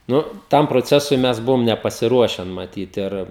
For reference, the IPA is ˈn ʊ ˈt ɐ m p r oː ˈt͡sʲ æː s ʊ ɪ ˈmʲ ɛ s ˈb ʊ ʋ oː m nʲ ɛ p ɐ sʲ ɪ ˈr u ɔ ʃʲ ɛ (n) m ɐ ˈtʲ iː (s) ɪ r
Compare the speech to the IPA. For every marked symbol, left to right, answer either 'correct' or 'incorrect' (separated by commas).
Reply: correct, incorrect